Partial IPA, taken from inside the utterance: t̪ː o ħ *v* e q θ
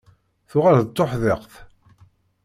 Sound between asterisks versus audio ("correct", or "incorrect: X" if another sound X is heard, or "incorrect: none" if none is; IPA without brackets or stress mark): incorrect: ð